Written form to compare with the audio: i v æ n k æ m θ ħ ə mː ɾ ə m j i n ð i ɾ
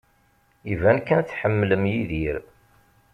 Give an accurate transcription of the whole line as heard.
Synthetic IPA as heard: i v æ n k æ n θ ħ ə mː l ə m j i ð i ɾ